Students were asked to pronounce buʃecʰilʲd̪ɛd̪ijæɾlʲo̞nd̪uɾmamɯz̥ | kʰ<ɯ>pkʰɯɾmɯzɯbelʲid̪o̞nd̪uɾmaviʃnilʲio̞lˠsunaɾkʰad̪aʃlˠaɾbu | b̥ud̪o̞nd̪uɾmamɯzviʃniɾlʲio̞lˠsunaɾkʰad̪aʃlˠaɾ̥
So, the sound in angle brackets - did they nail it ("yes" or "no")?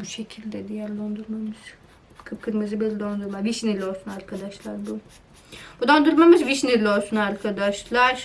yes